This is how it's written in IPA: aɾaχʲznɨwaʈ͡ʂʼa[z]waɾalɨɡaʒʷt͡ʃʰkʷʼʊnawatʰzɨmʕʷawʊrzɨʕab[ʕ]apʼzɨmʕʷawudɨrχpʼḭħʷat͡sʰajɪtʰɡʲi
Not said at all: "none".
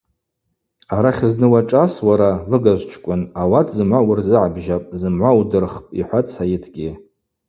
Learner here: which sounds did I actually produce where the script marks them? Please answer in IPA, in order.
s, ʒ

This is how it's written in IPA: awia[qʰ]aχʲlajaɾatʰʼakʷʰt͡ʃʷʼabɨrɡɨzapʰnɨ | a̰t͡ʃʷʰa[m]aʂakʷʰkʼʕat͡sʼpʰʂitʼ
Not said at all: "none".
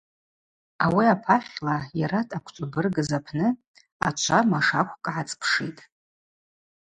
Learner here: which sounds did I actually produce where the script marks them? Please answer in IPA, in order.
pʰ, m

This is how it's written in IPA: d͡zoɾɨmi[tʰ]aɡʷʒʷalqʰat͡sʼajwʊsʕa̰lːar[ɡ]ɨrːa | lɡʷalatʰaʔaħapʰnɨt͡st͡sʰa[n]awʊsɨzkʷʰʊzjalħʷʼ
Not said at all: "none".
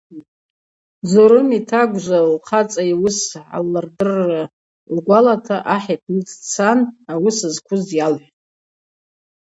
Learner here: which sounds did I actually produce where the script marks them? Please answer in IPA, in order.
tʰ, d, n

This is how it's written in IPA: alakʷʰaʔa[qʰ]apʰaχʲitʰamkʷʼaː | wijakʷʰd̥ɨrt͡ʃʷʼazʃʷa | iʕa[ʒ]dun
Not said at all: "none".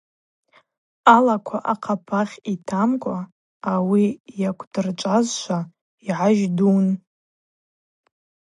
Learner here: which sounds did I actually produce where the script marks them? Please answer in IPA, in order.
qʰ, ʒ

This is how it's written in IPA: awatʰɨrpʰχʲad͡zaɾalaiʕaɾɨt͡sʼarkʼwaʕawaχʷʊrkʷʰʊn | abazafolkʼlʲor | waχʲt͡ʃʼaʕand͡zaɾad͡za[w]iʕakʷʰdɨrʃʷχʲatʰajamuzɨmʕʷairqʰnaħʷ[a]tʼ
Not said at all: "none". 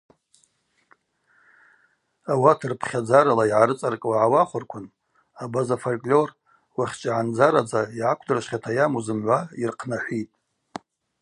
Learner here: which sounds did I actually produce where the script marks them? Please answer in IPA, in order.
none, i

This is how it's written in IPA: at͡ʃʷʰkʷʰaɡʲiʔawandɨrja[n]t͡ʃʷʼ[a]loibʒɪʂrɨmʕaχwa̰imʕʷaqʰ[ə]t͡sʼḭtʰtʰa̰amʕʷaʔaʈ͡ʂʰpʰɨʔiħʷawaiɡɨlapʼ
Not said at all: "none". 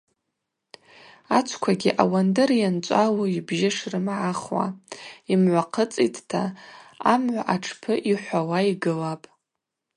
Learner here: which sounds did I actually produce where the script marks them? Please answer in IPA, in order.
n, a, ə

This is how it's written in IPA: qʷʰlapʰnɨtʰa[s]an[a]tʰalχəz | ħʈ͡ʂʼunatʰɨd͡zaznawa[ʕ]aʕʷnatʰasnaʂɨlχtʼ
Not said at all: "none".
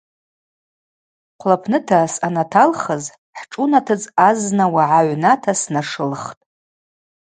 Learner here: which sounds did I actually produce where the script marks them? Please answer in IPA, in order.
s, a, ʕ

